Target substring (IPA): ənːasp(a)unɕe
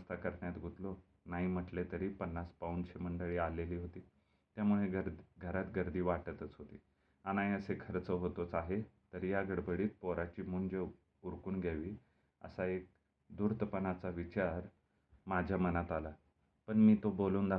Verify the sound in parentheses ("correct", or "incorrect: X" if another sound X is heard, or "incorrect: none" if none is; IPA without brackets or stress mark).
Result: correct